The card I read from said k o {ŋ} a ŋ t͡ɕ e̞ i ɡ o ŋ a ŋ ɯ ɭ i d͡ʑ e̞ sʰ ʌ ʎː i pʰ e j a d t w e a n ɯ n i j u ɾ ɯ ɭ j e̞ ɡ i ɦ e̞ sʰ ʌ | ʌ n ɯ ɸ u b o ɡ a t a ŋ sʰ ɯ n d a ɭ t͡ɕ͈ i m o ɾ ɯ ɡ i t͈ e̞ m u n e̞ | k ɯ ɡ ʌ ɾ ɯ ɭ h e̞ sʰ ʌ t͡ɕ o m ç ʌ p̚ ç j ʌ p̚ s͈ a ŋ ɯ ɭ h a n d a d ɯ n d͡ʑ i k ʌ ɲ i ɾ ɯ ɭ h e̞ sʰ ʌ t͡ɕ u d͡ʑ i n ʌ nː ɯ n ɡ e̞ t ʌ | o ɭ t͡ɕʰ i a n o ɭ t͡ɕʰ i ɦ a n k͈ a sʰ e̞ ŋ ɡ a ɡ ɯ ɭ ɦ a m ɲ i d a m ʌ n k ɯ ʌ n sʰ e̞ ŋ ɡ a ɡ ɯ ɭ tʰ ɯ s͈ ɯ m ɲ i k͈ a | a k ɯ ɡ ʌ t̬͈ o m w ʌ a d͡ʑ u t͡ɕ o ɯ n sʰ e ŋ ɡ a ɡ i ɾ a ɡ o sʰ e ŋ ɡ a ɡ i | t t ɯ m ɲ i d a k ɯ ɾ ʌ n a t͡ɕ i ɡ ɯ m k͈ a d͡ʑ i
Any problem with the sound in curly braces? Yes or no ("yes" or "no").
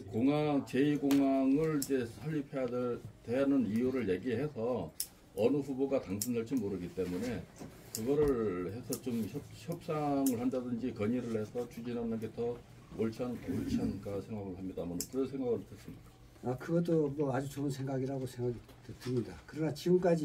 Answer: no